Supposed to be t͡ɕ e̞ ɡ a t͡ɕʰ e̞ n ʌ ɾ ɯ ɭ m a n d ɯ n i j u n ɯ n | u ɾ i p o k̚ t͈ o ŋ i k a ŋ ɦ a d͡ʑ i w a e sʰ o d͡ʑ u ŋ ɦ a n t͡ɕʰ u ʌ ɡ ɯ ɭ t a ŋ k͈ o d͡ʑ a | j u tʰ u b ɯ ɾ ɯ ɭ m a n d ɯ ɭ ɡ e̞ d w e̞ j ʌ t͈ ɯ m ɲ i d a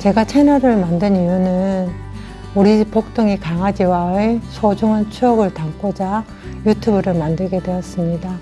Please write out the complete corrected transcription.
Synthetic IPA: t͡ɕ e̞ ɡ a t͡ɕʰ e̞ n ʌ ɾ ɯ ɭ m a n d ɯ n i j u n ɯ n | u ɾ i p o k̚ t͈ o ŋ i k a ŋ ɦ a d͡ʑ i w a e sʰ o d͡ʑ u ŋ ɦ a n t͡ɕʰ u ʌ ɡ ɯ ɭ t a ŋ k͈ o d͡ʑ a | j u tʰ u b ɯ ɾ ɯ ɭ m a n d ɯ ɭ ɡ e̞ d w e̞ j ʌ s͈ ɯ m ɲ i d a